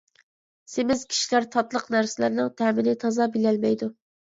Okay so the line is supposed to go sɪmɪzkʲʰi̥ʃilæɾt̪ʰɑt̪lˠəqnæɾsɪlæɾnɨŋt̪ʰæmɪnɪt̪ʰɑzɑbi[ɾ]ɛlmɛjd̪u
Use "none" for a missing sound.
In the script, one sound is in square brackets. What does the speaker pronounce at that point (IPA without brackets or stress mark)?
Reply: l